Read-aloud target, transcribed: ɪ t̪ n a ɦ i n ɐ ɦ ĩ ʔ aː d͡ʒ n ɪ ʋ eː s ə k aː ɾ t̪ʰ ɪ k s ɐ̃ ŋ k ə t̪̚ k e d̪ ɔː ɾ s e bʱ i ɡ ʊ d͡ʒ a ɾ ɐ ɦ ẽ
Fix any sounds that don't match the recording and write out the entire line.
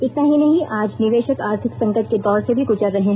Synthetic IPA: ɪ t̪ n a ɦ i n ɐ ɦ ĩ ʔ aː d͡ʒ n ɪ ʋ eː ʃ ə k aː ɾ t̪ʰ ɪ k s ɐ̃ ŋ k ə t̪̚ k e d̪ ɔː ɾ s e bʱ i ɡ ʊ d͡ʒ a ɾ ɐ ɦ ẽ